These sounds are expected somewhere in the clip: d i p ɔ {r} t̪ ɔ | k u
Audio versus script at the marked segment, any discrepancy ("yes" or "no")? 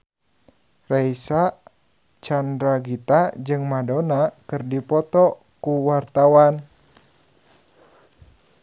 yes